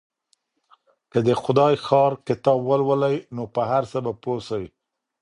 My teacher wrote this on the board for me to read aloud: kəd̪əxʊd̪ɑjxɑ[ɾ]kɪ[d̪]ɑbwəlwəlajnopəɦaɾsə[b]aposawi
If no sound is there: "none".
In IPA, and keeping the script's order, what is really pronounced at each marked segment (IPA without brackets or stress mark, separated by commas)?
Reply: ɾ, t̪, b